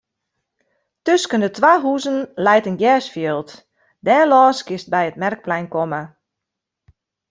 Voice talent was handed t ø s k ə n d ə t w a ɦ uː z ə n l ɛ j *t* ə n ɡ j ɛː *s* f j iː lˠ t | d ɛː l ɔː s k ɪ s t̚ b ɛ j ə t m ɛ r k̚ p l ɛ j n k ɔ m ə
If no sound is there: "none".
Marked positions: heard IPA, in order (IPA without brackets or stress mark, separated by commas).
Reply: t, s